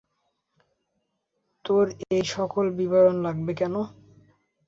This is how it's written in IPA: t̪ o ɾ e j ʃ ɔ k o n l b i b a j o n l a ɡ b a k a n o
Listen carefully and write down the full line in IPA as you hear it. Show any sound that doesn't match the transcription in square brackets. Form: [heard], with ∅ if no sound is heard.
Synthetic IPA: t̪ o ɾ e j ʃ ɔ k o [∅] l b i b a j o n l a ɡ b [e] k [ɛ] n o